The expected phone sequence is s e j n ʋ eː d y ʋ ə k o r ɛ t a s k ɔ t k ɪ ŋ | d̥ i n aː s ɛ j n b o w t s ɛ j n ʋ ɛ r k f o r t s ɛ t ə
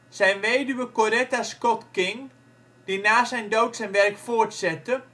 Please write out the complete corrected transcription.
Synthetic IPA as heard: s ɛ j n ʋ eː d y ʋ ə k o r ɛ t a s k ɔ t k ɪ ŋ | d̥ i n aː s ɛ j n d o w t s ɛ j n ʋ ɛ r k f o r t s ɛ t ə